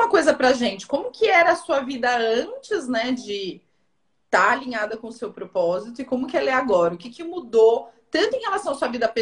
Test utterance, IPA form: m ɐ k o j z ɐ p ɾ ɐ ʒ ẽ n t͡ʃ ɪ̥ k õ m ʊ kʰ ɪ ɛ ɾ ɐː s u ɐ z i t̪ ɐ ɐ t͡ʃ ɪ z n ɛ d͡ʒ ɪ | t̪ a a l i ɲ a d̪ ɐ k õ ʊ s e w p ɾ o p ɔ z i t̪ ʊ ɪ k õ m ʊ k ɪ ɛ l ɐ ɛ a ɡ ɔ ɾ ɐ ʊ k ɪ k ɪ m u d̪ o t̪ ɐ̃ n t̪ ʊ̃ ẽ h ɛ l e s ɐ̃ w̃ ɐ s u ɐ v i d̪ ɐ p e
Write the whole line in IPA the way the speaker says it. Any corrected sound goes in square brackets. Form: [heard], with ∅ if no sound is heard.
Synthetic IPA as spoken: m ɐ k o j z ɐ p ɾ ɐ ʒ ẽ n t͡ʃ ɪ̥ k õ m ʊ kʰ ɪ ɛ ɾ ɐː s u ɐ [v] i [d̪] ɐ [ɐ̃] t͡ʃ ɪ z n ɛ d͡ʒ ɪ | t̪ a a l i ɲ a d̪ ɐ k õ ʊ s e w p ɾ o p ɔ z i t̪ ʊ ɪ k õ m ʊ k ɪ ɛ l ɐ ɛ a ɡ ɔ ɾ ɐ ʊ k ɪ k ɪ m u d̪ o t̪ ɐ̃ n t̪ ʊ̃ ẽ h [e] l [a] s ɐ̃ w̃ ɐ s u ɐ v i d̪ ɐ p e